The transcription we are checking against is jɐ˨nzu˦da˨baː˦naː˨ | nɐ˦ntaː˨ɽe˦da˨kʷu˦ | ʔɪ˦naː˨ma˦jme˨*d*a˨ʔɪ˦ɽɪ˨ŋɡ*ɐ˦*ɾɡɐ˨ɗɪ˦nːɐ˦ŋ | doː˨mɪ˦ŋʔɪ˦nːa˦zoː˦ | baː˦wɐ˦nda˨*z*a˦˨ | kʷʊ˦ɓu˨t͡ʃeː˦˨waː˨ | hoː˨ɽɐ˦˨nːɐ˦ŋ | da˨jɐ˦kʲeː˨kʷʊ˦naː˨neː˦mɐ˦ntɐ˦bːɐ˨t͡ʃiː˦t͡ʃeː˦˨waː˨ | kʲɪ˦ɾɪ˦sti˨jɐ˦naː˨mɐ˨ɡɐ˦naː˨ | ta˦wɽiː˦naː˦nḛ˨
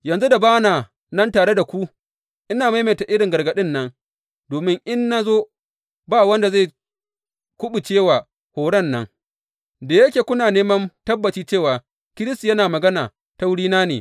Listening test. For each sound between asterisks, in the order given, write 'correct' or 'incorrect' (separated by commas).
incorrect, incorrect, correct